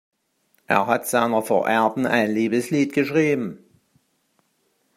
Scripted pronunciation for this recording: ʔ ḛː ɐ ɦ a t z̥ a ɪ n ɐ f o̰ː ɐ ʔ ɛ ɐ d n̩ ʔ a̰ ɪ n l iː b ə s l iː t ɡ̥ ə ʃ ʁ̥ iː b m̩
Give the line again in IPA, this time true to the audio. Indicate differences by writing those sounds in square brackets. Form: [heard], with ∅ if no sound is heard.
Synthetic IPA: ʔ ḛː ɐ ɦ a t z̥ a ɪ n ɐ f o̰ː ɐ ʔ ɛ ɐ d n̩ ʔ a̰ ɪ n l iː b ə s l iː t ɡ̥ ə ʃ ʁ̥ iː b m̩